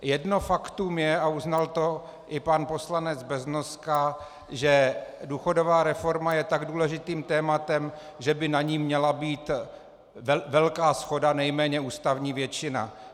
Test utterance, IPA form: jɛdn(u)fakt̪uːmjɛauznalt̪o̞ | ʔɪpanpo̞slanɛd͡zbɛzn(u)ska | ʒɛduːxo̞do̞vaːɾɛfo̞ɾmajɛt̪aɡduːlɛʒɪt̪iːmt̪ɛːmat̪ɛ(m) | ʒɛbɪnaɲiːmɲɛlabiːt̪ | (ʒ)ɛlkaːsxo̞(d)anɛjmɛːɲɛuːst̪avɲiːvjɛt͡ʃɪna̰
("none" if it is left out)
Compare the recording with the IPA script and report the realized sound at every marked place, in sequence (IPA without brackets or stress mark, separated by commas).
o, o, m, v, d